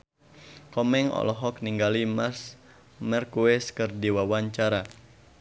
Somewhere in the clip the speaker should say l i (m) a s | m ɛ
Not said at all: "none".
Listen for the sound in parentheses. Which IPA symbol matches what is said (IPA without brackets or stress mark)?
m